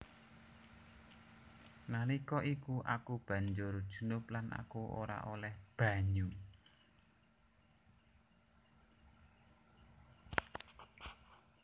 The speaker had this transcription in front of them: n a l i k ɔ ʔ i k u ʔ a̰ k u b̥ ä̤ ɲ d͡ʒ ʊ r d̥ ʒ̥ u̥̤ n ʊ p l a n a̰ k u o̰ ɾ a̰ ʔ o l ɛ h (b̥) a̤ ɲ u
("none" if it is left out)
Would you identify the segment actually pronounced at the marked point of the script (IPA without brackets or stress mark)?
b̥